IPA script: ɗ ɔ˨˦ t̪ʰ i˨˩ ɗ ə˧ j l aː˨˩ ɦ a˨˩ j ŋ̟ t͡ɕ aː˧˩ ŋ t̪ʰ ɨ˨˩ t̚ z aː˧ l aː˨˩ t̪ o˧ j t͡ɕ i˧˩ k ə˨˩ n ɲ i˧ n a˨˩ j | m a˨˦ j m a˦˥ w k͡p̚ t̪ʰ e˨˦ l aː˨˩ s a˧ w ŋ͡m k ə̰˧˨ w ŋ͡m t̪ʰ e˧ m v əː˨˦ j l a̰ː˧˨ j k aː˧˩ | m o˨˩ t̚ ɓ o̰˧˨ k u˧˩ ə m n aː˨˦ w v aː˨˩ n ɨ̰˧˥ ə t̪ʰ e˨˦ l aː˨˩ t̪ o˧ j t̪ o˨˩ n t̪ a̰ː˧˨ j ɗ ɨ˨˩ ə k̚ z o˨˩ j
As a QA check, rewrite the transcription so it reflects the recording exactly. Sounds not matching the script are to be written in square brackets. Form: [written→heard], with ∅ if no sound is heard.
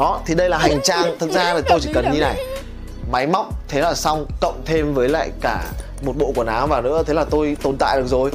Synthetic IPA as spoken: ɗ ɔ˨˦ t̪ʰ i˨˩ ɗ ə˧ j l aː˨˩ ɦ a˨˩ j ŋ̟ t͡ɕ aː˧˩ ŋ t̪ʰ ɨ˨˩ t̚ z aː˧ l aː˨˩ t̪ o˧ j t͡ɕ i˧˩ k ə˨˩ n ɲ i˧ n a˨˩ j | m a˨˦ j m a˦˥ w k͡p̚ t̪ʰ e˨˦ l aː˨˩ s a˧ w ŋ͡m k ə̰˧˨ w ŋ͡m t̪ʰ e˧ m v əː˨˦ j l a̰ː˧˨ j k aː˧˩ | m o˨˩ t̚ ɓ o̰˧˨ k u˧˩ ə [m→∅] n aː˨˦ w v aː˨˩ n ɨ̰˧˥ ə t̪ʰ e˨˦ l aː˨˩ t̪ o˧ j t̪ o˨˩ n t̪ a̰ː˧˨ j ɗ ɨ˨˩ ə k̚ z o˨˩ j